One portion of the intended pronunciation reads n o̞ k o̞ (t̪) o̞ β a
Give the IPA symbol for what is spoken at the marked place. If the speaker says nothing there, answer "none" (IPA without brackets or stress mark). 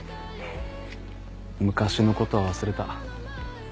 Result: t̪